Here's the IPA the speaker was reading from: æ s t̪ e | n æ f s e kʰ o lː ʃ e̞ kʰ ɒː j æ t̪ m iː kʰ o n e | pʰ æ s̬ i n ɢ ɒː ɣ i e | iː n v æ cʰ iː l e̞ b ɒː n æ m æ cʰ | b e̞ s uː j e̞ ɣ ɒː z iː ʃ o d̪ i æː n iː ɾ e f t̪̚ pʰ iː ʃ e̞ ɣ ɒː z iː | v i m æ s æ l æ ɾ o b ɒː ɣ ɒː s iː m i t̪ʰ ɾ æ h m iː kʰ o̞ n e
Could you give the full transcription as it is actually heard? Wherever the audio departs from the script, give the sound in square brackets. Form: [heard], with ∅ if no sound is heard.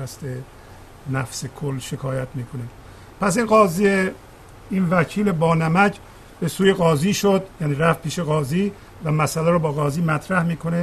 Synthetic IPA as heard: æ s t̪ e | n æ f s e kʰ o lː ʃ e̞ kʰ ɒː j æ t̪ m iː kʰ o n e | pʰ æ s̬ i n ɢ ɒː [z] i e | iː n v æ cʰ iː l e̞ b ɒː n æ m æ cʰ | b e̞ s uː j e̞ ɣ ɒː z iː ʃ o d̪ [j] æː n iː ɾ [æ] f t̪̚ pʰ iː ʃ e̞ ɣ ɒː z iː | v [æ] m æ s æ l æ ɾ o b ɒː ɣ ɒː [z] iː m [æ] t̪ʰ ɾ æ h m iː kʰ o̞ n e